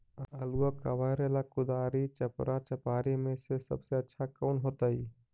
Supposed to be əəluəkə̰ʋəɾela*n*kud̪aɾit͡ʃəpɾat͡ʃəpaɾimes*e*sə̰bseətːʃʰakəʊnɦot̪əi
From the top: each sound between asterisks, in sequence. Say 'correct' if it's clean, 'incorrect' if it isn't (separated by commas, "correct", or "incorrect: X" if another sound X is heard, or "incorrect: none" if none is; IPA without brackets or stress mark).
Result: incorrect: none, correct